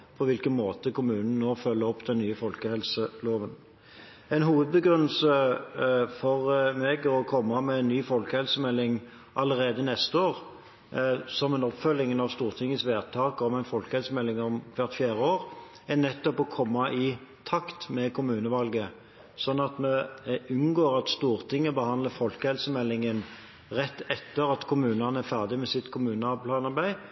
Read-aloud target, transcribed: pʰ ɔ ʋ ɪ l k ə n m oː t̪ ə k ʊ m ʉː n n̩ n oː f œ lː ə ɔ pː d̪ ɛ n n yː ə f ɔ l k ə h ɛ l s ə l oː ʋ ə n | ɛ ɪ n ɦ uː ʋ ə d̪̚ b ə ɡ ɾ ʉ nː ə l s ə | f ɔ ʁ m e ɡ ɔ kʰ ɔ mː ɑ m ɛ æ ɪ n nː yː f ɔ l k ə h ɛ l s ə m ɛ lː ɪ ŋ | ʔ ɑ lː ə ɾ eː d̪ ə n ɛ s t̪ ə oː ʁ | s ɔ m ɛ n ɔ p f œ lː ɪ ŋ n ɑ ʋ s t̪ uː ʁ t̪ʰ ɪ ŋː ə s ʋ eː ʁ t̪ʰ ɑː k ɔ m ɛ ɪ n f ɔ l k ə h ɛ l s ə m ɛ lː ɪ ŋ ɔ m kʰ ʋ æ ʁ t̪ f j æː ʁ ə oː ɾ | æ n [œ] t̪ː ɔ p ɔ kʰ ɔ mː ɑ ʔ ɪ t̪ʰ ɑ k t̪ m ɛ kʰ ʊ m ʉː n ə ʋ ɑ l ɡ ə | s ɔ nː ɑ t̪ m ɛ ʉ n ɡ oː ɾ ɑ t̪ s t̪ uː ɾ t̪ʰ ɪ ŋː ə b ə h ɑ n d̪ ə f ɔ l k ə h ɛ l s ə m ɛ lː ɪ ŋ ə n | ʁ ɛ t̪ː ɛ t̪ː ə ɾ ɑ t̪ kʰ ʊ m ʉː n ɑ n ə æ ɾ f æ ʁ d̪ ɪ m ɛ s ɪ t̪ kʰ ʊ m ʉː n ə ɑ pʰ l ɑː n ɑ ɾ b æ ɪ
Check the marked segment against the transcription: incorrect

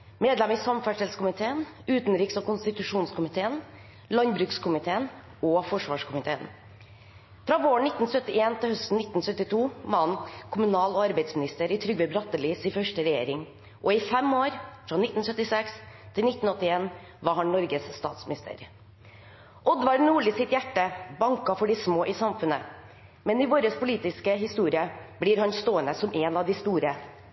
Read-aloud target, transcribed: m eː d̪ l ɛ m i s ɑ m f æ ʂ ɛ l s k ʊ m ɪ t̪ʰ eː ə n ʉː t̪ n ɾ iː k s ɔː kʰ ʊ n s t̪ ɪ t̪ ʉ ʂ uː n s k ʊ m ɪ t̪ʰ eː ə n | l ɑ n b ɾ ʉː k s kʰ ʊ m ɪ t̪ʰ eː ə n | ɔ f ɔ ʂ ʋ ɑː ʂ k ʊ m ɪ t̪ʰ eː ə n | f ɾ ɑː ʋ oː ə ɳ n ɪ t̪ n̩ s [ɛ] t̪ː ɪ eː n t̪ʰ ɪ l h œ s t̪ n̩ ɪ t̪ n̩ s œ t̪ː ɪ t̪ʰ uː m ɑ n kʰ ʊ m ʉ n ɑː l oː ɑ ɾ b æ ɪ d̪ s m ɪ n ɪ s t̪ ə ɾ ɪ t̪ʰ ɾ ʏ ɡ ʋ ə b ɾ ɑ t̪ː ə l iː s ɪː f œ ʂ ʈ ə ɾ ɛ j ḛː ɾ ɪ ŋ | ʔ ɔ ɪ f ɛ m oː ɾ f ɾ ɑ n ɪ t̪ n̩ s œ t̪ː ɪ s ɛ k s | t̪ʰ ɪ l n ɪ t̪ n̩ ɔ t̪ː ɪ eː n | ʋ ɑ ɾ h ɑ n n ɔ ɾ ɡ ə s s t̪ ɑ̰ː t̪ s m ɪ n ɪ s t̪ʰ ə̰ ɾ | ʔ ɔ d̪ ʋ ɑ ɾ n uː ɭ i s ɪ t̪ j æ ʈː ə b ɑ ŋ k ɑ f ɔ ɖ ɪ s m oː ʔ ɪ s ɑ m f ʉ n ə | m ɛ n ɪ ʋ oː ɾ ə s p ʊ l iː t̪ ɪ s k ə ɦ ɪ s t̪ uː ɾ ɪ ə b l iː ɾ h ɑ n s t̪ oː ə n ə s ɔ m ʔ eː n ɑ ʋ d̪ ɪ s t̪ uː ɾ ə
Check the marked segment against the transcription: incorrect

